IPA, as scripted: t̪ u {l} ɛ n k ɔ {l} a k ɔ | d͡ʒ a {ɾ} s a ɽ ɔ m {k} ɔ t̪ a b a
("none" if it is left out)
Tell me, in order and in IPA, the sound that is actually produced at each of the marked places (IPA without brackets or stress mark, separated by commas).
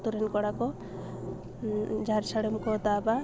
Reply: ɾ, ɽ, ɾ, k